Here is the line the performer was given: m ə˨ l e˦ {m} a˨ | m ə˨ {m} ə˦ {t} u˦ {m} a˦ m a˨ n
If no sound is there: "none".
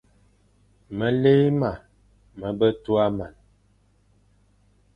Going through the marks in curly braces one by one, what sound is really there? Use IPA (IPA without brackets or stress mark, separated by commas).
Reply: m, b, t, none